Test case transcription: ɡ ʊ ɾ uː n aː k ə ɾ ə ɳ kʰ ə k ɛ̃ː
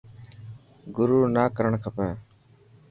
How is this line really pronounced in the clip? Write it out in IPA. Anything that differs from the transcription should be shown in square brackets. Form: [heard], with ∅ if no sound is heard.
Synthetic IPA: ɡ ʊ ɾ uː n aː k ə ɾ ə ɳ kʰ ə [p] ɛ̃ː